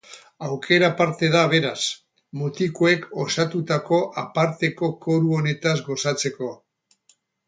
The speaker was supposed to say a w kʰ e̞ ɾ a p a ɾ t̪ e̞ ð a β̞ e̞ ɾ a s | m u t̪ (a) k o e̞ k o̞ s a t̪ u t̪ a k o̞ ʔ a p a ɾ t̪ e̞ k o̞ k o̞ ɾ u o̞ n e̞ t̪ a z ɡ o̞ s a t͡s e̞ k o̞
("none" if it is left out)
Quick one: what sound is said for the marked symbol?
i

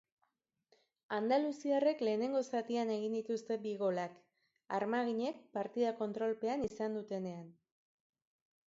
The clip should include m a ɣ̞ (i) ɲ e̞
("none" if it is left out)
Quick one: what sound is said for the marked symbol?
i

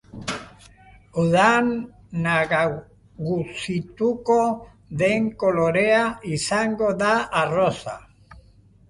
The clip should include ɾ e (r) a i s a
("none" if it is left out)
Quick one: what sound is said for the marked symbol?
none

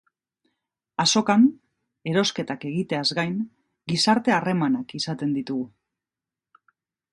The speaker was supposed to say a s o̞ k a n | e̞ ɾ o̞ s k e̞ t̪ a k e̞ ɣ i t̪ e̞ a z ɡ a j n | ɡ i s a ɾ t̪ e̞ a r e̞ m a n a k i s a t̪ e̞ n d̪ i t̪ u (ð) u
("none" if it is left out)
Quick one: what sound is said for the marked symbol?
ɣ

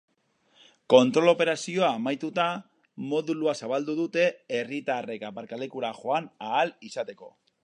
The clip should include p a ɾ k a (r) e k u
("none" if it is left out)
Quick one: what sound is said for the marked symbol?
l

